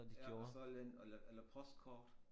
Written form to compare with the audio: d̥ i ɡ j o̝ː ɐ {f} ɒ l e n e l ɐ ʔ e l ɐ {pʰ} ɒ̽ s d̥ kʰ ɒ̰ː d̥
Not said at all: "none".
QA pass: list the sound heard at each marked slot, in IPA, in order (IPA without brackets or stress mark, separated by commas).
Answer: s, pʰ